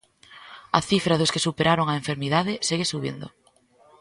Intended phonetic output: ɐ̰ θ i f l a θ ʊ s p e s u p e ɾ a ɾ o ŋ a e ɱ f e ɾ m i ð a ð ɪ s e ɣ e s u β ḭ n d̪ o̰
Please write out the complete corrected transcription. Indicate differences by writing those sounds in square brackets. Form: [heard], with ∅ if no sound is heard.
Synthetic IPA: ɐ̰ θ i f [ɾ] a [ð] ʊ s [k] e s u p e ɾ a ɾ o ŋ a e ɱ f e ɾ m i ð a ð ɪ s e ɣ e s u β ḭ n d̪ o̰